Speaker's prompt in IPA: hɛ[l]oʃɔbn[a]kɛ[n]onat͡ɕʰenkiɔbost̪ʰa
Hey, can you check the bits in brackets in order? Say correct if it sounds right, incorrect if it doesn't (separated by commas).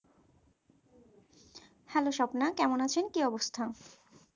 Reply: correct, correct, incorrect